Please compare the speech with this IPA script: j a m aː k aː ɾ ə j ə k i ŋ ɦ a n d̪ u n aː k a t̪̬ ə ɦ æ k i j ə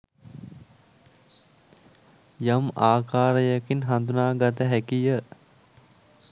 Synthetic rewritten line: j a m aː k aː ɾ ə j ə k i n ɦ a n d̪ u n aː ɡ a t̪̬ ə ɦ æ k i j ə

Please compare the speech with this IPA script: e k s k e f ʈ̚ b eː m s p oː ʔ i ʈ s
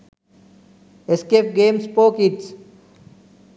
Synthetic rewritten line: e s k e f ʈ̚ ɡ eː m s p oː k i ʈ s

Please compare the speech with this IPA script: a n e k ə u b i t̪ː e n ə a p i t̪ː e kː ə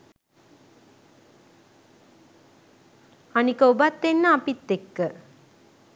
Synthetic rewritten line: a n i k ə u b a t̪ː e nː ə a p i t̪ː e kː ə

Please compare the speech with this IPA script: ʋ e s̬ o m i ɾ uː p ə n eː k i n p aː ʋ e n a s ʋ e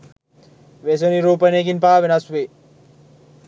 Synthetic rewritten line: ʋ e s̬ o n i ɾ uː p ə n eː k i n p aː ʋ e n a s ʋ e

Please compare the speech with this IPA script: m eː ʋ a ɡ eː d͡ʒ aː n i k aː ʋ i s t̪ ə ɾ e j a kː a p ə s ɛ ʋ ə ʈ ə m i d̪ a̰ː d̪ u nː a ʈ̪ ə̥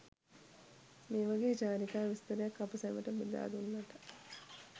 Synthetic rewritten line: m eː ʋ a ɡ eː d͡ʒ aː n i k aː ʋ i s t̪ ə ɾ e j a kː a p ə s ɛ ʋ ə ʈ ə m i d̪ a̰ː d̪ u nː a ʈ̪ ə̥

